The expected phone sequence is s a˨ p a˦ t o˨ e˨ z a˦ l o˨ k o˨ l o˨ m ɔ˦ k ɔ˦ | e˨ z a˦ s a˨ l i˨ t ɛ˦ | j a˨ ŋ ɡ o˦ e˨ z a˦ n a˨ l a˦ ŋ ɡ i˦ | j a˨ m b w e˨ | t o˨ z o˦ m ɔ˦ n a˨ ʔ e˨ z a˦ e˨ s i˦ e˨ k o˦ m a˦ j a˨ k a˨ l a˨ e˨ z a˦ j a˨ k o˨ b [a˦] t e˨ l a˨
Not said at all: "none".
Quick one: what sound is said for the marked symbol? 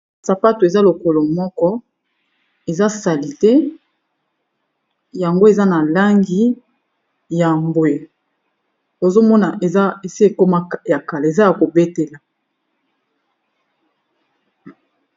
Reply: e˦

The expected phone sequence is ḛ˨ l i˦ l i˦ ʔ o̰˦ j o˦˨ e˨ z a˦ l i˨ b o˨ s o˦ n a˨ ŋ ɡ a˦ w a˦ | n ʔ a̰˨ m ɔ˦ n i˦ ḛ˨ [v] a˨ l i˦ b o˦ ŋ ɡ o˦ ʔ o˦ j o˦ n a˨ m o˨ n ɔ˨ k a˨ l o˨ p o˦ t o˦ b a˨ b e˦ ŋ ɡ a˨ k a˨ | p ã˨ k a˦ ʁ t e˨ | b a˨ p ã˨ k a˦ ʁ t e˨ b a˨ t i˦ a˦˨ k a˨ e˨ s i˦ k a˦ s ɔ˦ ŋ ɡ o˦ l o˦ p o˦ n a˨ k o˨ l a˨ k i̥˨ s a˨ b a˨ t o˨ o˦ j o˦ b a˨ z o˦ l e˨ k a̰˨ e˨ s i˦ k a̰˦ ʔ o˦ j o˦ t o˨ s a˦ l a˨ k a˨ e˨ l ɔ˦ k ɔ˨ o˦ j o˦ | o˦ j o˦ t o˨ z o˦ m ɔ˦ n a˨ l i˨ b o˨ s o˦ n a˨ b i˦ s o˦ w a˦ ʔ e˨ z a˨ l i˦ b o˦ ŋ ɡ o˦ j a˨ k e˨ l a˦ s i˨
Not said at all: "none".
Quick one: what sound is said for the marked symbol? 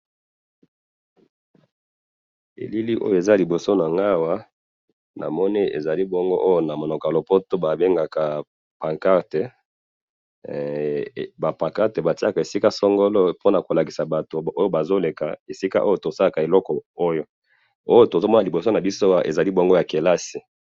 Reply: z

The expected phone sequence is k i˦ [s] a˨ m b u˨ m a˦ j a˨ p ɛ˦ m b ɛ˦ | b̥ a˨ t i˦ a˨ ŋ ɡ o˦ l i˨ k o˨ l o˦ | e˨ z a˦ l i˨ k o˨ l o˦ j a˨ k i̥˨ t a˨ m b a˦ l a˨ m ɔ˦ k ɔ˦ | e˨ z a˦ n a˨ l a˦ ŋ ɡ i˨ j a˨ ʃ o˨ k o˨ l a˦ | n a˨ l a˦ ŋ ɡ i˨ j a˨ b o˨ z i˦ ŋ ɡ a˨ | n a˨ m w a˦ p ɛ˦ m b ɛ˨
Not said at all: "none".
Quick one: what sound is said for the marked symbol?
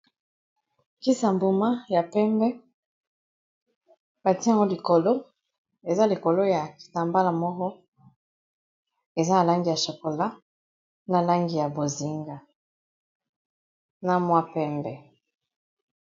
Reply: s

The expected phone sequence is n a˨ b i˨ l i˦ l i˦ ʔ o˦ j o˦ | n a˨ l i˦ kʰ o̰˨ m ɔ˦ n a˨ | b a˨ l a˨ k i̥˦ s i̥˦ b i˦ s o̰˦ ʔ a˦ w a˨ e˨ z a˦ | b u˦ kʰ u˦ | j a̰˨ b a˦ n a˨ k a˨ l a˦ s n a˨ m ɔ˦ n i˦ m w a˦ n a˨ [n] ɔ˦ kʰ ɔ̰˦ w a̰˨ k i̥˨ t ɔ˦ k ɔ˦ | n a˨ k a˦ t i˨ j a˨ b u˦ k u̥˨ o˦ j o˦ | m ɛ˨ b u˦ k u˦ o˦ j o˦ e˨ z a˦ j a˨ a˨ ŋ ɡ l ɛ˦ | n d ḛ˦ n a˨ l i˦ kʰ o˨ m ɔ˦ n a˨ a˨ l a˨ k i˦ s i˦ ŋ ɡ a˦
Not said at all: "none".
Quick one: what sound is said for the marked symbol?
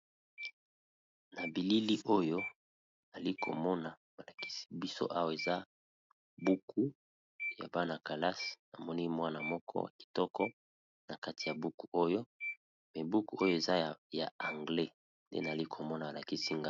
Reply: m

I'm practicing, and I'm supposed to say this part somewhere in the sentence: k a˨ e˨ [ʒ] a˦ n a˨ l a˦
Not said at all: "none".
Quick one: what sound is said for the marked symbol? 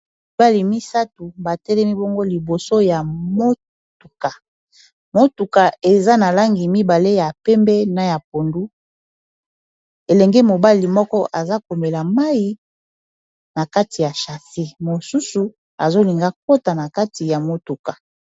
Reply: z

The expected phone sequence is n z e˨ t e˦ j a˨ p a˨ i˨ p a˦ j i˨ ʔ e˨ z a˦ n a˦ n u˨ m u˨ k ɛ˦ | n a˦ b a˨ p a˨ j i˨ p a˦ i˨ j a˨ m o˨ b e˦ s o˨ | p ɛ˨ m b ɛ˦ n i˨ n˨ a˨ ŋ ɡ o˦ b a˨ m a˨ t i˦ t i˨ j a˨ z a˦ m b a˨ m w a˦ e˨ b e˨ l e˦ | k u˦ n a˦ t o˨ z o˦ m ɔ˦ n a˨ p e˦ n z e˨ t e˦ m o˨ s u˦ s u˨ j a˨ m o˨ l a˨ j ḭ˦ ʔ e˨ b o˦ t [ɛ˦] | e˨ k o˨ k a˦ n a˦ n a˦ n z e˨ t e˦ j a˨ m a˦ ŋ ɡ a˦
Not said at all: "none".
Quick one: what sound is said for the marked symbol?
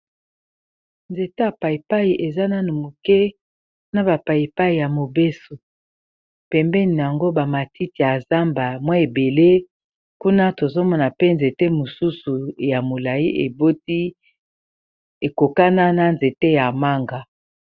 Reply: i˦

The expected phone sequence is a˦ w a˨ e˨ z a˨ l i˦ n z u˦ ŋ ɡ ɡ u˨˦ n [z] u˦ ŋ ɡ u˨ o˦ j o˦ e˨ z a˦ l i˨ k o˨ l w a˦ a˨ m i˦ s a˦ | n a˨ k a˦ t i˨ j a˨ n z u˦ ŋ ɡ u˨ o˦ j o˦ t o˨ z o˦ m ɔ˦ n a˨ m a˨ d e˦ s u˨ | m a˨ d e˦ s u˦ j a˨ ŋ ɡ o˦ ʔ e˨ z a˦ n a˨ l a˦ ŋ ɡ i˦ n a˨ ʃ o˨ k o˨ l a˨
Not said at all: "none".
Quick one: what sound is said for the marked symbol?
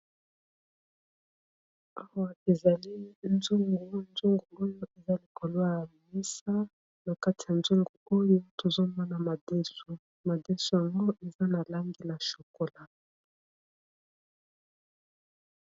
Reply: z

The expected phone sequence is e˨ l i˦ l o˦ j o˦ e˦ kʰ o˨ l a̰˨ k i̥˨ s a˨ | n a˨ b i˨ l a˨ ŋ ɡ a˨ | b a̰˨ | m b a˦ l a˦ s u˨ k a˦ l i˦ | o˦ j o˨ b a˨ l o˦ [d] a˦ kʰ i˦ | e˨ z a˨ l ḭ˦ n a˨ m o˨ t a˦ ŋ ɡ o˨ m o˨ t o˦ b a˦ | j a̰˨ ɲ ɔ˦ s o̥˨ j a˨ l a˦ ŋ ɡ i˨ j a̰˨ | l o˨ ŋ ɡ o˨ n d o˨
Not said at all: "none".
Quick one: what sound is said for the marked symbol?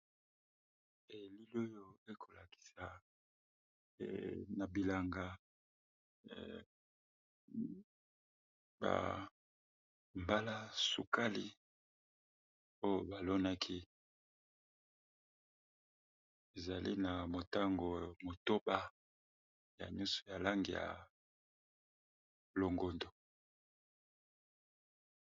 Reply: n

